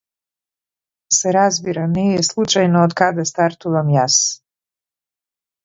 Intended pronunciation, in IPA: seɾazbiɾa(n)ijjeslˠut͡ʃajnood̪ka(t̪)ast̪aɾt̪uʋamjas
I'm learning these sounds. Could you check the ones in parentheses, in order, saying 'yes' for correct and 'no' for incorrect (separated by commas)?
yes, no